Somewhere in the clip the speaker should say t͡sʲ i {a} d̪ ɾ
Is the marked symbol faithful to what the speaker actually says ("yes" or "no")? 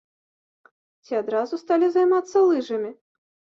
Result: yes